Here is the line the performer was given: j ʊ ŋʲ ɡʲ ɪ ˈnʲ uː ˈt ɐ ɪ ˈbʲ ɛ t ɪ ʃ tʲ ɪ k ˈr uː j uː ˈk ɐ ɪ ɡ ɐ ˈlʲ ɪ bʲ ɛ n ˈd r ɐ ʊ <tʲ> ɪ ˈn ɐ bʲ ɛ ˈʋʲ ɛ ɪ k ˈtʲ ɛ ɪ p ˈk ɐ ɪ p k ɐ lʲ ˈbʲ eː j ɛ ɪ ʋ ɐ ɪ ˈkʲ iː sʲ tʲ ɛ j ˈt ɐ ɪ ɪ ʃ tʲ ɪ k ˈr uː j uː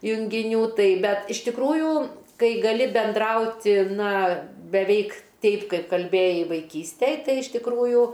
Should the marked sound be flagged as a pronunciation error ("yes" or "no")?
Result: no